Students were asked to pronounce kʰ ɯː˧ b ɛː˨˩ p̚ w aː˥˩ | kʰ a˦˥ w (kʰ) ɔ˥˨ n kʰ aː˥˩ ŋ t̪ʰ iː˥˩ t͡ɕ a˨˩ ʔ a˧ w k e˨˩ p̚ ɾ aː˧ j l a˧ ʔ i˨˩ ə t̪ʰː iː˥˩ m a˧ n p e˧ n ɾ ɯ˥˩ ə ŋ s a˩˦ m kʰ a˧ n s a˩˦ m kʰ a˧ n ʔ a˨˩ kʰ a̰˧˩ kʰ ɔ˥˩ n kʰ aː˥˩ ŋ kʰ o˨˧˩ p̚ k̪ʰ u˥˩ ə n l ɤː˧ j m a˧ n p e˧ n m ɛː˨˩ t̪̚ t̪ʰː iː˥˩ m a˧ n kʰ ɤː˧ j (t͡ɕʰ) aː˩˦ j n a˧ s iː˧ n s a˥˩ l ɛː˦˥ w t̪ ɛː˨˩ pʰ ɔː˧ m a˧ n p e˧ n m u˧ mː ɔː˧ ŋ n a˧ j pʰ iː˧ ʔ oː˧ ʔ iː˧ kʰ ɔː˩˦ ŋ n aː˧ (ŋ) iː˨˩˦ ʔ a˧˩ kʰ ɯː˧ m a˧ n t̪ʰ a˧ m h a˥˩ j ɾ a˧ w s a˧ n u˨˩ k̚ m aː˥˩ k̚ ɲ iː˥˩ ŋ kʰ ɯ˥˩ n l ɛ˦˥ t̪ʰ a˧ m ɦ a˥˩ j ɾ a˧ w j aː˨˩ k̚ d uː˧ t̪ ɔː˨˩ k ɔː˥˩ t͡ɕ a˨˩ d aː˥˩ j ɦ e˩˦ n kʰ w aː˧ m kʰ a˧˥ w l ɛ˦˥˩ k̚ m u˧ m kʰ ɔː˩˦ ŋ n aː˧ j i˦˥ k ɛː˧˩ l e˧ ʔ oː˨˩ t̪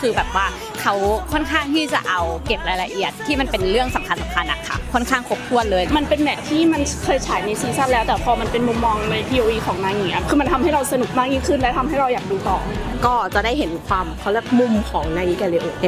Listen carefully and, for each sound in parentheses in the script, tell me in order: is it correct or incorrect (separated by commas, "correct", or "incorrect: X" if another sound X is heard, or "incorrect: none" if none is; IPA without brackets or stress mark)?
correct, correct, correct